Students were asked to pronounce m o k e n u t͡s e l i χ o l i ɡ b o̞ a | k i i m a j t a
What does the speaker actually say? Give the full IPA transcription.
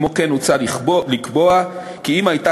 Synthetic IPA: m o k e n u t͡s a l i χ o l i k b o̞ a | k i i m a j t a